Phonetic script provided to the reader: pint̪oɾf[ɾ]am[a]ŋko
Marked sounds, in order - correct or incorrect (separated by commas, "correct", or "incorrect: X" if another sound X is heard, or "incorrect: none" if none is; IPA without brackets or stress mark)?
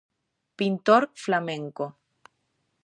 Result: incorrect: l, incorrect: e